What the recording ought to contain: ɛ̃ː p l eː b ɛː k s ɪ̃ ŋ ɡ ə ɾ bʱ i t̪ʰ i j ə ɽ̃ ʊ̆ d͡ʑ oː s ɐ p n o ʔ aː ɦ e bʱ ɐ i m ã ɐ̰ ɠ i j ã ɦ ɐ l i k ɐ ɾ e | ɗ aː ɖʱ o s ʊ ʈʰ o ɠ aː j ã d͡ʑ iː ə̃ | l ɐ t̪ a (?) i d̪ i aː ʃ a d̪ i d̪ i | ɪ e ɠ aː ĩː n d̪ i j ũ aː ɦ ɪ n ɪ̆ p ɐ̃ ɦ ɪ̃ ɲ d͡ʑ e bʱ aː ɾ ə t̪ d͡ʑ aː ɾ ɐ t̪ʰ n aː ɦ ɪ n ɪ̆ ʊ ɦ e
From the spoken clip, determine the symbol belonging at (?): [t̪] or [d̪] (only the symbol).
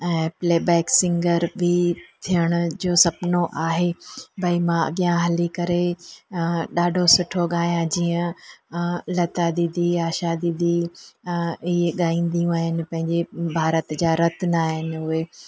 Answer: d̪